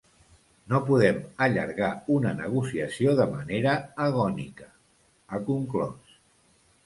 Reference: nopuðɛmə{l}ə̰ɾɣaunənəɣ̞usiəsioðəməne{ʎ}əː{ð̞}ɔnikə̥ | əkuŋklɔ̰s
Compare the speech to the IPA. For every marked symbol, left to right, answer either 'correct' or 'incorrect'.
incorrect, incorrect, incorrect

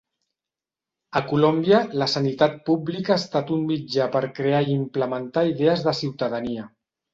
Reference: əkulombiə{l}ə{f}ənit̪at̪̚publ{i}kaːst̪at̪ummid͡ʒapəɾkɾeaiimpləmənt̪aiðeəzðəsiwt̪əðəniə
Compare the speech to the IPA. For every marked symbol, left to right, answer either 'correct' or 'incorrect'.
correct, incorrect, correct

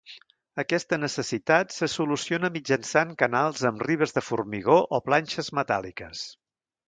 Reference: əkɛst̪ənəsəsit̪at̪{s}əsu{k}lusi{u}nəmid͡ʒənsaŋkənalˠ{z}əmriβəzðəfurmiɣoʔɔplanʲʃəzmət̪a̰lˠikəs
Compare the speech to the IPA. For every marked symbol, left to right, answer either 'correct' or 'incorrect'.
correct, incorrect, incorrect, correct

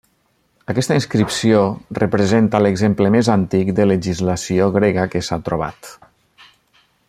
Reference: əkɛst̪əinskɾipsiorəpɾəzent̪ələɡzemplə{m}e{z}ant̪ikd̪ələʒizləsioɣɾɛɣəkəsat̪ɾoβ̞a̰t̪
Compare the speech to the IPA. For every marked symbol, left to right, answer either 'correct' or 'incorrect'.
correct, correct

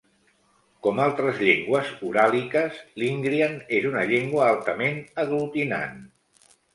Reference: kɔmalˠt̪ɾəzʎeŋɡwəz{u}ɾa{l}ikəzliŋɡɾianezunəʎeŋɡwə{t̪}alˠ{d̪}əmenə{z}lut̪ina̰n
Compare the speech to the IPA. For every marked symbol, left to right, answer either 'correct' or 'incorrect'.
correct, correct, incorrect, incorrect, incorrect

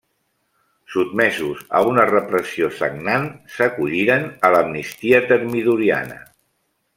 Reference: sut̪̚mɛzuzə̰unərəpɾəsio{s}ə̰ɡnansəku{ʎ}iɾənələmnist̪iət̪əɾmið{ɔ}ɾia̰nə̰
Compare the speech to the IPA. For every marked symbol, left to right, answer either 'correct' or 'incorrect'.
correct, correct, incorrect

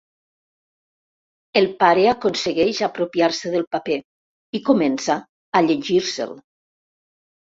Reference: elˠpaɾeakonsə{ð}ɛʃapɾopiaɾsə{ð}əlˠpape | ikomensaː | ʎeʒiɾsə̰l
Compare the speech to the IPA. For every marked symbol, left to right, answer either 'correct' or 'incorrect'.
incorrect, correct

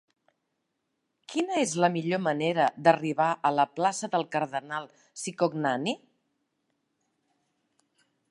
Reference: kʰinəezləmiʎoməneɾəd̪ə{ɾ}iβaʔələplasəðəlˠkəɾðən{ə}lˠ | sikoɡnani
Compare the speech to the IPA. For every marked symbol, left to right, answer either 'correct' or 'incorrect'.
incorrect, incorrect

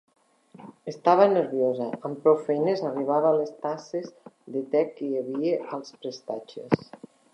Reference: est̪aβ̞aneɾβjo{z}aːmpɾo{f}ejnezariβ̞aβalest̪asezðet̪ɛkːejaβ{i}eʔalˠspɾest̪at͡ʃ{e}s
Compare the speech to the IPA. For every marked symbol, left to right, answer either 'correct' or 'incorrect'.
correct, correct, correct, correct

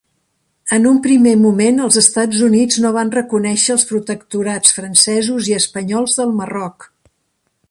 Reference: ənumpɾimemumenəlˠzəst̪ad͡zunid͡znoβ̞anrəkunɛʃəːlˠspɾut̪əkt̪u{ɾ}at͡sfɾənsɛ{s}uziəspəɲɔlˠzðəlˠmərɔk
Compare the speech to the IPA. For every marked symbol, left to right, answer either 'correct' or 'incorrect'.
correct, incorrect

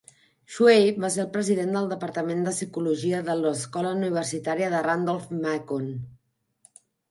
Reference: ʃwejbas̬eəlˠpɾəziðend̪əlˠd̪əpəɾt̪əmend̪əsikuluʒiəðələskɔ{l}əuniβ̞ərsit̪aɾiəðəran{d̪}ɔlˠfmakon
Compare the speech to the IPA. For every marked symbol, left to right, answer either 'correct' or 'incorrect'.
correct, correct

